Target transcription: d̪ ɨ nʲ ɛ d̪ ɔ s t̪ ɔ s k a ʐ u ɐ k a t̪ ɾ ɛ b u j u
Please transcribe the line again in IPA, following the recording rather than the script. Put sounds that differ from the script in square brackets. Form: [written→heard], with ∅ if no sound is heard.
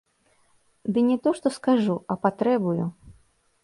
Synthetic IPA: d̪ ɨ nʲ ɛ [d̪→t̪] ɔ [s→ʂ] t̪ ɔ s k a ʐ u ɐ [k→p] a t̪ ɾ ɛ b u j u